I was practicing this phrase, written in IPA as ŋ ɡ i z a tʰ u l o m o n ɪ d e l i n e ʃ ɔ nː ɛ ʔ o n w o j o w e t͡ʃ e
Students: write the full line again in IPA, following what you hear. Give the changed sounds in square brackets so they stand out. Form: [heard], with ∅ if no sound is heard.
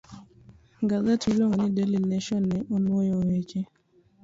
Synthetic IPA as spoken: ŋ ɡ [a] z a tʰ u l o [ŋ] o n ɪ d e l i n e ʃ ɔ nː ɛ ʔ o n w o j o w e t͡ʃ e